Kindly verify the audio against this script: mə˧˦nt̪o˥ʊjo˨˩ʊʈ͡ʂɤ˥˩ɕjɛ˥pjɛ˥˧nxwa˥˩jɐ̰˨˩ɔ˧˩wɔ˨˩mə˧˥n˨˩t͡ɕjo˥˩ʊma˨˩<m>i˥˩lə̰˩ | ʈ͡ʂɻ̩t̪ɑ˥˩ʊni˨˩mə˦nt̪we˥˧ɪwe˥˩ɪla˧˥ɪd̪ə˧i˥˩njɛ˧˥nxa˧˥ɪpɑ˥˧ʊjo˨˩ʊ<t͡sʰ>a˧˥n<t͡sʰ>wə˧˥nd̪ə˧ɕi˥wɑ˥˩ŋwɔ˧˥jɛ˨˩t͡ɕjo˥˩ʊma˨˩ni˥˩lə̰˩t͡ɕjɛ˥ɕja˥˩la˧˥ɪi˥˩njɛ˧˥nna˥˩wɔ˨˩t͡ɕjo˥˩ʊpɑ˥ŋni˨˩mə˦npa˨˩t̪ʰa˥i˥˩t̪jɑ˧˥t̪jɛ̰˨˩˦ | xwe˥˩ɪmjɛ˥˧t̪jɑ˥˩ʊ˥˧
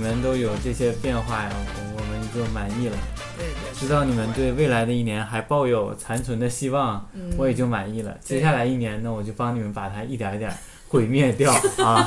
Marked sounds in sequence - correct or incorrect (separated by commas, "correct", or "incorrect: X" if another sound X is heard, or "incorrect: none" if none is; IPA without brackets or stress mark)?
incorrect: n, correct, correct